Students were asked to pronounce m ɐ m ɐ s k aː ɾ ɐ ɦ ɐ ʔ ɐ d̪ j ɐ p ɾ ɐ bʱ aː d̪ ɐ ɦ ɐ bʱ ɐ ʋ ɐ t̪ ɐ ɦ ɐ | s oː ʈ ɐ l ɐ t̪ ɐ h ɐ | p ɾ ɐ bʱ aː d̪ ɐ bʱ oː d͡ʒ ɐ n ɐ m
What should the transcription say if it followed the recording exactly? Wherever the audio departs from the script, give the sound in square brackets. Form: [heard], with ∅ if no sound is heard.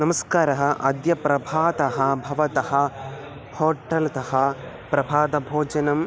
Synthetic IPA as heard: [n] ɐ m ɐ s k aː ɾ ɐ ɦ ɐ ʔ ɐ d̪ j ɐ p ɾ ɐ bʱ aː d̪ ɐ ɦ ɐ bʱ ɐ ʋ ɐ t̪ ɐ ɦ ɐ | [h] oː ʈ ɐ l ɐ t̪ ɐ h ɐ | p ɾ ɐ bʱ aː d̪ ɐ bʱ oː d͡ʒ ɐ n ɐ m